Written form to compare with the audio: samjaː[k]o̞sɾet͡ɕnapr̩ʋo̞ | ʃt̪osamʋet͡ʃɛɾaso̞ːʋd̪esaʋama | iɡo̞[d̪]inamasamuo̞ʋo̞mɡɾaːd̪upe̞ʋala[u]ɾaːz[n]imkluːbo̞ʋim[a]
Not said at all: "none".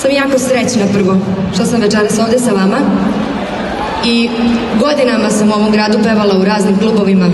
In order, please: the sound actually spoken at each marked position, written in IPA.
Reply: k, d̪, u, n, a

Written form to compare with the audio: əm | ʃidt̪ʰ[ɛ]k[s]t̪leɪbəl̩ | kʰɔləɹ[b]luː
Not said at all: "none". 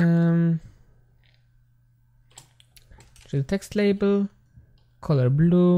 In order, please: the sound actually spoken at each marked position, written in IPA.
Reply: ɛ, s, b

